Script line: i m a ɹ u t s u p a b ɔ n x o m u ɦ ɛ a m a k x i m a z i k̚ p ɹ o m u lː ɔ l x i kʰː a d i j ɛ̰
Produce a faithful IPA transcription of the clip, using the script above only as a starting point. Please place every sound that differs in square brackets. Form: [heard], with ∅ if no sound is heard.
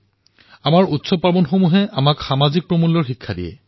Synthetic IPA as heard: [a] m a ɹ u t s [ɔ] p a b ɔ n x o m u ɦ ɛ a m a k x [a] m a z i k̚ p ɹ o m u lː ɔ [ɹ] x i kʰː a d i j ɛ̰